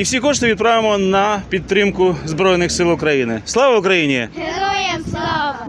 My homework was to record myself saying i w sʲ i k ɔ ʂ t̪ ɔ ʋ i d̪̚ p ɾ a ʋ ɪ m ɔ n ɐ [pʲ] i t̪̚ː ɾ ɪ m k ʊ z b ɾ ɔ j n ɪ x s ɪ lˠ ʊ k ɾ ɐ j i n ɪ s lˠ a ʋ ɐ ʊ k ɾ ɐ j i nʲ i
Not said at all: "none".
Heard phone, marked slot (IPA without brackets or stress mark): pʲ